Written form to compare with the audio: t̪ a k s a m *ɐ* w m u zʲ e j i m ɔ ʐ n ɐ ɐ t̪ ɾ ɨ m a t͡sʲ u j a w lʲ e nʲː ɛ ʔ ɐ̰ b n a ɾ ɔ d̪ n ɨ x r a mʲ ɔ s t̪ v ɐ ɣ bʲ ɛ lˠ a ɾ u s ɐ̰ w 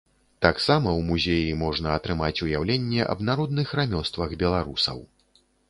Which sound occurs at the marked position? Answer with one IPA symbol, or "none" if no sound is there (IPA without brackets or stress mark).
ɐ